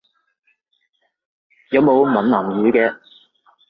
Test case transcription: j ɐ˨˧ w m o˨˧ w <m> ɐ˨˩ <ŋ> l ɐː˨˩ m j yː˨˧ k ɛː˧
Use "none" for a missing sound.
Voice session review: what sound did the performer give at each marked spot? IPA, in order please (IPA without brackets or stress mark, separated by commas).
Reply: m, n